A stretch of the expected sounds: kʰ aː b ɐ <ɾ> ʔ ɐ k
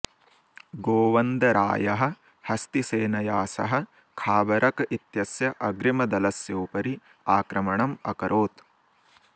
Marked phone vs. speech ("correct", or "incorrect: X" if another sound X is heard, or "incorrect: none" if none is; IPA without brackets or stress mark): correct